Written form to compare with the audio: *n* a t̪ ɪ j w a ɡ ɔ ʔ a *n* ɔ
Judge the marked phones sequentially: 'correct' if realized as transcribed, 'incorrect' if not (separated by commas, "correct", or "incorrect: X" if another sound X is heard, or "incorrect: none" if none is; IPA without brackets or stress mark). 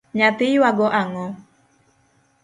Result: incorrect: ɲ, incorrect: ŋ